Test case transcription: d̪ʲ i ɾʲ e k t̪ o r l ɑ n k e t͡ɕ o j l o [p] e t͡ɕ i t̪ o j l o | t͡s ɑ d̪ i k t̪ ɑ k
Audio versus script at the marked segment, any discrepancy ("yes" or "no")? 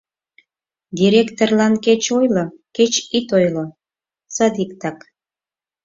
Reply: yes